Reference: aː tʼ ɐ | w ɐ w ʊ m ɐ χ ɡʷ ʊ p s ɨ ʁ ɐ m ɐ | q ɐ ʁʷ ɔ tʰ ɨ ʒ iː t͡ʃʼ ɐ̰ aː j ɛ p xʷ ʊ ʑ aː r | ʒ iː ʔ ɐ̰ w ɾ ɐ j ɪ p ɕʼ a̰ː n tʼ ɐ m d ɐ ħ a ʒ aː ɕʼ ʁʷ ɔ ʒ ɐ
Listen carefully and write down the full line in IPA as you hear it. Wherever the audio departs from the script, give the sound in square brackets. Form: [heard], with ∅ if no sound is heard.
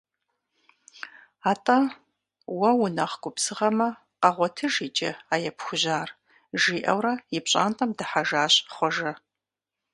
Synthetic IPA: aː tʼ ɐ | w ɐ w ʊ [n] ɐ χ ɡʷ ʊ p s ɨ ʁ ɐ m ɐ | q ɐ ʁʷ ɔ tʰ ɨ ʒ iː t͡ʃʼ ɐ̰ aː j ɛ p xʷ ʊ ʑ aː r | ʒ iː ʔ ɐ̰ w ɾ ɐ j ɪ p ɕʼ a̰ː n tʼ ɐ m d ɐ ħ a ʒ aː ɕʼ [χʷ] ɔ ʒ ɐ